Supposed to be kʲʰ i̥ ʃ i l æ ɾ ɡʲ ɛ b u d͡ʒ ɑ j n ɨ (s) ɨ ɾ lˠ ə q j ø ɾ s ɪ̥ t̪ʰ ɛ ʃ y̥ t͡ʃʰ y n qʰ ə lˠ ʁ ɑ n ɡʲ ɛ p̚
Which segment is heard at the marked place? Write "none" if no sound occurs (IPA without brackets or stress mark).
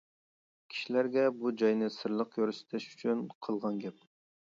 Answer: s